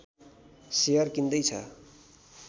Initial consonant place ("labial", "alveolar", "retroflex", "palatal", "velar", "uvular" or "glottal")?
alveolar